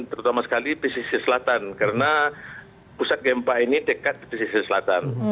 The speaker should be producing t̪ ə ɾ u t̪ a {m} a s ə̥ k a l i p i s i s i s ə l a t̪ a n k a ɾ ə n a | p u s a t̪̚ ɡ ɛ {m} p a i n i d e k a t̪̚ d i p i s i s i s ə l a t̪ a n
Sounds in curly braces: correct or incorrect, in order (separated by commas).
correct, correct